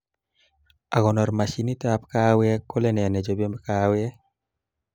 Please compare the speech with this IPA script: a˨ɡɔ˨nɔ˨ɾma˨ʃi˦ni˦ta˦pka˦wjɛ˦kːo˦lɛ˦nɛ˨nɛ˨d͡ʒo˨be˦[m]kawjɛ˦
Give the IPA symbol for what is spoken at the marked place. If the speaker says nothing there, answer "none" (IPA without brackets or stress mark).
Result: m